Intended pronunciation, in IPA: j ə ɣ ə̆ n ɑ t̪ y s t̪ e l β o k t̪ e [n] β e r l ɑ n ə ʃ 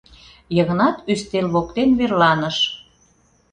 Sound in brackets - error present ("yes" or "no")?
no